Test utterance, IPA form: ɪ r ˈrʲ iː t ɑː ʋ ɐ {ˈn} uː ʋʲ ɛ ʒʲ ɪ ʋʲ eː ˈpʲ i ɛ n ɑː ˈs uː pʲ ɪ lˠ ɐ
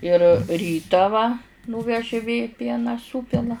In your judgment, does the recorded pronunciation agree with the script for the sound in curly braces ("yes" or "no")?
yes